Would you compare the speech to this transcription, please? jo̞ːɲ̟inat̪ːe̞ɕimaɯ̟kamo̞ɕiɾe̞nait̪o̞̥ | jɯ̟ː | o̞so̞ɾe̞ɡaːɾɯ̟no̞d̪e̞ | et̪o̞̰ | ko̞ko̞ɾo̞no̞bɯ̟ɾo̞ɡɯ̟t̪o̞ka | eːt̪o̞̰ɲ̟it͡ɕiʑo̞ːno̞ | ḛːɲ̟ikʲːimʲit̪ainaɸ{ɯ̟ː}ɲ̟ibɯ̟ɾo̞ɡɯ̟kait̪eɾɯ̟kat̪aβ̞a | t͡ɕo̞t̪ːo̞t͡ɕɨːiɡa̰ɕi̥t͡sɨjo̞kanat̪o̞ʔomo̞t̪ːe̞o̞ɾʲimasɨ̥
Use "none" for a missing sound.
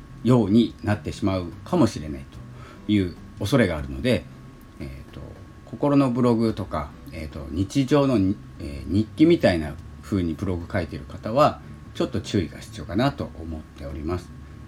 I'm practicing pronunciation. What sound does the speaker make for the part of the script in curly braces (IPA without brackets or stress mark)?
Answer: ɯ̟ː